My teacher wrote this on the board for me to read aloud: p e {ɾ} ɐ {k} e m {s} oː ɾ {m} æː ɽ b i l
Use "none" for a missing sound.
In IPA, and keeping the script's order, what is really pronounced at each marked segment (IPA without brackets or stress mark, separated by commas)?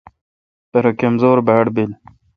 ɾ, k, z, b